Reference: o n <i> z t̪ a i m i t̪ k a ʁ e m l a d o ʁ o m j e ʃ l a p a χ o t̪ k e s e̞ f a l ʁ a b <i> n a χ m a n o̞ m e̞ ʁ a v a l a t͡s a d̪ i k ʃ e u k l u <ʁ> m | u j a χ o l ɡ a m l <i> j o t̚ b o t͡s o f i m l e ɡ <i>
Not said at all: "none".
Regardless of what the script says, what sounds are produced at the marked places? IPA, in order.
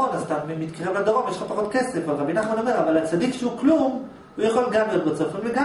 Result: a, i, none, i, a

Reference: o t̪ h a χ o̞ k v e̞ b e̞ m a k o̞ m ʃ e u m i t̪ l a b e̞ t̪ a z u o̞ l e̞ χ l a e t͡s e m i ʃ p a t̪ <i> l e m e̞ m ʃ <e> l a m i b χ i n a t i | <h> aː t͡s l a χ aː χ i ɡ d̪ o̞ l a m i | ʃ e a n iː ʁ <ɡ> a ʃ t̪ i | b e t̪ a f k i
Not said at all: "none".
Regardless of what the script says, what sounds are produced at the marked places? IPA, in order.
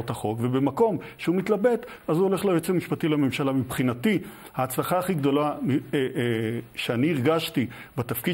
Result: i, a, h, ɡ

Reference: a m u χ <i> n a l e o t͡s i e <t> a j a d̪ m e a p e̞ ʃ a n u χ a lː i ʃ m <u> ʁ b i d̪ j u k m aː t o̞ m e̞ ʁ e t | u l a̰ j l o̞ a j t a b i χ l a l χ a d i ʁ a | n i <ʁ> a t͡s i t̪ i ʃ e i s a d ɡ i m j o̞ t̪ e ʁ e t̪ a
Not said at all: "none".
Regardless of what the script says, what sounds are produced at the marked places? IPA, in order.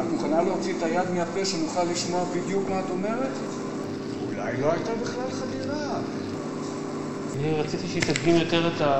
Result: a, t, o, ʁ

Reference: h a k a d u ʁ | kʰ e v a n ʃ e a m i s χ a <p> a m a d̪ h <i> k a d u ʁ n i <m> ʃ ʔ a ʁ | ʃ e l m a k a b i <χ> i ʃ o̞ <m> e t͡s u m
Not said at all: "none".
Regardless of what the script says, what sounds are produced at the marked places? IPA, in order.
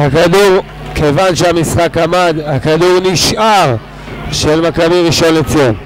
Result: k, a, none, ʁ, n

